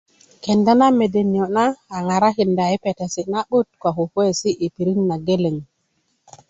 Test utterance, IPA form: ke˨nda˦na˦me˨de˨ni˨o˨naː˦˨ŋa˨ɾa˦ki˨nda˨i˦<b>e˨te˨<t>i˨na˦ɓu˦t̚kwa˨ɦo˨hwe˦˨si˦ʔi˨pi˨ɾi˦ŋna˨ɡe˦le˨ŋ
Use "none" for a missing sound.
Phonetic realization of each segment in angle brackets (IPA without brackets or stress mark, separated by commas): p, s